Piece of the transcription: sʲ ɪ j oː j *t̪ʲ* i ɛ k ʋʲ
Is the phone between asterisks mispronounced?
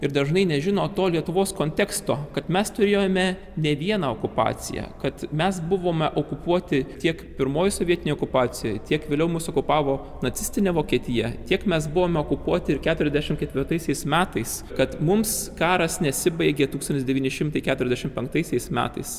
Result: no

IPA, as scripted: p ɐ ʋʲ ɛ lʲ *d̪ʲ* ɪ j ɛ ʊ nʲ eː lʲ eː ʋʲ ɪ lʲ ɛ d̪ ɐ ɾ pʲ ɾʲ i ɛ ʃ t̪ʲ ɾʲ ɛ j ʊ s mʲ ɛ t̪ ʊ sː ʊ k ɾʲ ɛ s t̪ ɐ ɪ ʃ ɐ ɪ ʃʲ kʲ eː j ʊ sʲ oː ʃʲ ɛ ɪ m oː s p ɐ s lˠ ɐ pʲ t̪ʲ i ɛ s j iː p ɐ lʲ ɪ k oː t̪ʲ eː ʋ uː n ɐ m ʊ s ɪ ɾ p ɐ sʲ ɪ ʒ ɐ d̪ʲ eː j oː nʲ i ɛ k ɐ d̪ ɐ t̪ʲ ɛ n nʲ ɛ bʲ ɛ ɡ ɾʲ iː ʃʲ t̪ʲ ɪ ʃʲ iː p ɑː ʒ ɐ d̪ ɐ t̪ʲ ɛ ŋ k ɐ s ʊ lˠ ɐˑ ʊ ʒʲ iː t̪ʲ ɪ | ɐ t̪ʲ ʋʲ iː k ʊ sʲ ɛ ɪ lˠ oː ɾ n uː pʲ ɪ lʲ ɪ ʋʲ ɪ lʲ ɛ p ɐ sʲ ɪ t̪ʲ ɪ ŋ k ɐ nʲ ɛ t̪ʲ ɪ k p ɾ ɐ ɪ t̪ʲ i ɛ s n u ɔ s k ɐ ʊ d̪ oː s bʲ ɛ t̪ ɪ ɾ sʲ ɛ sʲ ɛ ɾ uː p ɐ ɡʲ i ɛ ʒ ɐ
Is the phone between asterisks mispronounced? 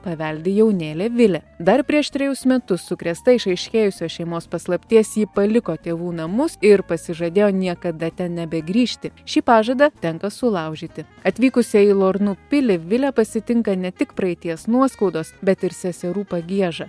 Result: no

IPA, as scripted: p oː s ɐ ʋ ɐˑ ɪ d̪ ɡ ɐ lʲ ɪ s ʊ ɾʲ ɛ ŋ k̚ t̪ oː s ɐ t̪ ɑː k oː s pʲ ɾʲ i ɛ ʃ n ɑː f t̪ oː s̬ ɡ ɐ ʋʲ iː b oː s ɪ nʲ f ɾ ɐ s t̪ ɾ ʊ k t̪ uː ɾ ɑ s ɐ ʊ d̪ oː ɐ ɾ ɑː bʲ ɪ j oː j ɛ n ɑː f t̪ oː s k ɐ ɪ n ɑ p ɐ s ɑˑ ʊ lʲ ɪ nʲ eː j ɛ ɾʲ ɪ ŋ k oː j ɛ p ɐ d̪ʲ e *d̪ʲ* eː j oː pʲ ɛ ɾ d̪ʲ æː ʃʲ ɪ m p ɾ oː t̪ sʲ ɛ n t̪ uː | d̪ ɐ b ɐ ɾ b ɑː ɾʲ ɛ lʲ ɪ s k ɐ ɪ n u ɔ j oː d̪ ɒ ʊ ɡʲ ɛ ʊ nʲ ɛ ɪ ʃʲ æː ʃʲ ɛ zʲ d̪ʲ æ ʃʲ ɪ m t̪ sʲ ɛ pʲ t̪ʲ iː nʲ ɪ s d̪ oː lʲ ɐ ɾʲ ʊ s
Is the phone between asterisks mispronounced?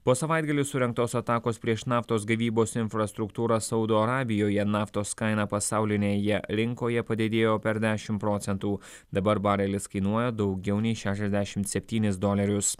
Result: no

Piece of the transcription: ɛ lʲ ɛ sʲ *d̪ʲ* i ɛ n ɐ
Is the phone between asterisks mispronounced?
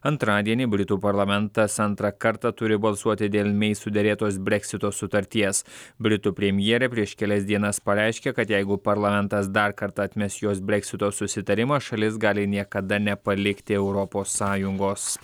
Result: no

